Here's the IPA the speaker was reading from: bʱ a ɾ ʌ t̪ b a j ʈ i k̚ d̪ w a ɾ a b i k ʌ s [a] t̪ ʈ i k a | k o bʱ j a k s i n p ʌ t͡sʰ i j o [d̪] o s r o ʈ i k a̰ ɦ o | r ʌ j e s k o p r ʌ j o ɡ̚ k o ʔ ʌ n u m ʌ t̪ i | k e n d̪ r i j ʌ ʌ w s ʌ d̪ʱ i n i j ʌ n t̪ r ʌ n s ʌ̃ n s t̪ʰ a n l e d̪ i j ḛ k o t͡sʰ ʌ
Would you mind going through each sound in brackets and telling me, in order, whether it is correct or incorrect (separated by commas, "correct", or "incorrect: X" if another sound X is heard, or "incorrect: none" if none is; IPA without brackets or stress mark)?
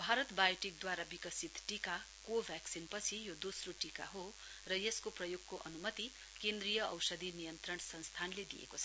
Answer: incorrect: i, correct